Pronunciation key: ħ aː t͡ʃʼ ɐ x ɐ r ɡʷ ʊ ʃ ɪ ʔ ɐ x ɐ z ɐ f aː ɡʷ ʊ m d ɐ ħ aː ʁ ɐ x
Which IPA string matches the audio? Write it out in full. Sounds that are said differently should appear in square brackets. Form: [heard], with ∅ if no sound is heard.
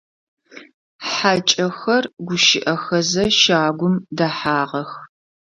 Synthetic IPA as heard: ħ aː t͡ʃʼ ɐ x ɐ r ɡʷ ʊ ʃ ɪ ʔ ɐ x ɐ z ɐ [ʃ] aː ɡʷ ʊ m d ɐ ħ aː ʁ ɐ x